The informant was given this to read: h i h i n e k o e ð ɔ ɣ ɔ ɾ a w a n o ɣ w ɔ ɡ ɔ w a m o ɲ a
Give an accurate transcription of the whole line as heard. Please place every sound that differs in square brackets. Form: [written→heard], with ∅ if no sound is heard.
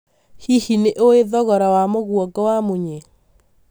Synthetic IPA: h i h i n e [k→ʔ] o e ð ɔ ɣ ɔ ɾ a w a [n→m] o ɣ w ɔ ɡ ɔ w a m o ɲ [a→e]